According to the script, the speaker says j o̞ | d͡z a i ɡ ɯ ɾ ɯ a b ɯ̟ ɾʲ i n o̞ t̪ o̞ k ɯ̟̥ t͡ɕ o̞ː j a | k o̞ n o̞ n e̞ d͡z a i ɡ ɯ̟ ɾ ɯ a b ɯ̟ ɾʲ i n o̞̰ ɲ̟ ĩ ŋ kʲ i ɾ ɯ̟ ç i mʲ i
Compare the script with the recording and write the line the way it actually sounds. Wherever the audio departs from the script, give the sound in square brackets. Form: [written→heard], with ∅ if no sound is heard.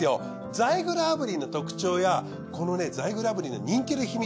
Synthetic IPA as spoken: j o̞ | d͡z a i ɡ ɯ ɾ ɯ a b ɯ̟ ɾʲ i n o̞ t̪ o̞ k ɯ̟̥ t͡ɕ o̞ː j a | k o̞ n o̞ n e̞ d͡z a i ɡ ɯ̟ ɾ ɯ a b ɯ̟ ɾʲ i n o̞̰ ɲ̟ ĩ ŋ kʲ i ɾ ɯ̟ ç i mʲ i

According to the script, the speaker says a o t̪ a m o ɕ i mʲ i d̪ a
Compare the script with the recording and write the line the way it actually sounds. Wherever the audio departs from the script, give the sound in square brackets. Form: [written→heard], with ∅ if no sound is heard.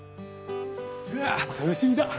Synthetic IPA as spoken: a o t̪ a [m→n] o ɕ i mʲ i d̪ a

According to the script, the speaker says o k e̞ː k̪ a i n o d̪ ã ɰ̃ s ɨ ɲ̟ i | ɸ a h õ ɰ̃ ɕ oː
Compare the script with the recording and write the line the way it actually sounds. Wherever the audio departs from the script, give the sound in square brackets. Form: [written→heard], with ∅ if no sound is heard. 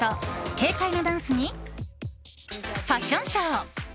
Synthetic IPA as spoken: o k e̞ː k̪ a i n o d̪ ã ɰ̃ s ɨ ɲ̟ i | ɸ a [h→ɕ] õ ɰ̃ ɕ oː

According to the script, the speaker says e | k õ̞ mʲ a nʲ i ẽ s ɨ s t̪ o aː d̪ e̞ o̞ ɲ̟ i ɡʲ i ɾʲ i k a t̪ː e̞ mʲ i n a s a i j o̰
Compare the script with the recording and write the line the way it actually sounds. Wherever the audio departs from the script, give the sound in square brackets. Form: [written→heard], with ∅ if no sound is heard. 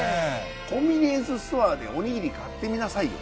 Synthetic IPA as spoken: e | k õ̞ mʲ [a→i] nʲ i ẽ s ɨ s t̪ o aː d̪ e̞ o̞ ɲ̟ i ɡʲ i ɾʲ i k a t̪ː e̞ mʲ i n a s a i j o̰

